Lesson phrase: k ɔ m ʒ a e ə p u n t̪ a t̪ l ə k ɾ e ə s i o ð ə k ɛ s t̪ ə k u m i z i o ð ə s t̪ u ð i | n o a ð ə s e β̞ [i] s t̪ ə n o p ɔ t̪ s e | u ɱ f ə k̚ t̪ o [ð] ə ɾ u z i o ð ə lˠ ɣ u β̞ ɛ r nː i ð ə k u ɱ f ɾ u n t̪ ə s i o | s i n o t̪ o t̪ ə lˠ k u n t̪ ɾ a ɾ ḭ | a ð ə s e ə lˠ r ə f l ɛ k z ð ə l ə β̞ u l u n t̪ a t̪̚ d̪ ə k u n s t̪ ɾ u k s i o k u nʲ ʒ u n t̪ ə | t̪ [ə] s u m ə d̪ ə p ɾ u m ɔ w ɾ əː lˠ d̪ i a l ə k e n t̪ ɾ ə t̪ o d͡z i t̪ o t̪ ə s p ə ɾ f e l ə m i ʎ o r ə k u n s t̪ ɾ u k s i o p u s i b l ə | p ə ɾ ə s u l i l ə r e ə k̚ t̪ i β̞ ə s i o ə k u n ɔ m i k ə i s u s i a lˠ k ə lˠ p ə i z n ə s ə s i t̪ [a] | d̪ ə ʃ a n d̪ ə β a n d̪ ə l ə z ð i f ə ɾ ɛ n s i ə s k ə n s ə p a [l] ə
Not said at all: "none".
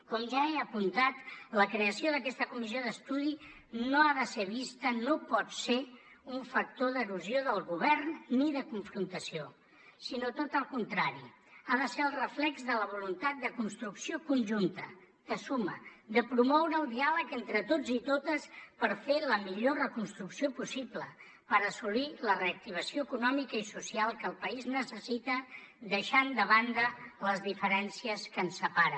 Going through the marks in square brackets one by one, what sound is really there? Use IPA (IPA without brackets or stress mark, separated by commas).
i, ð, ə, ə, ɾ